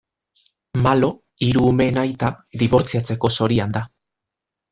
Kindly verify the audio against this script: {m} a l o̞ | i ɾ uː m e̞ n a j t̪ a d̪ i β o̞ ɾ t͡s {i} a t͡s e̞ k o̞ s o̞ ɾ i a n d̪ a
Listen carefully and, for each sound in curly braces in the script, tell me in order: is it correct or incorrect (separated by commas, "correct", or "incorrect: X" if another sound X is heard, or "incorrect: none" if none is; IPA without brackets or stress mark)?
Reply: correct, correct